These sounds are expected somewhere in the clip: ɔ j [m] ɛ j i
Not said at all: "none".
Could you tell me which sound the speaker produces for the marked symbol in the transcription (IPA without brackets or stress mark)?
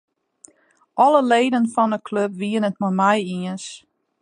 m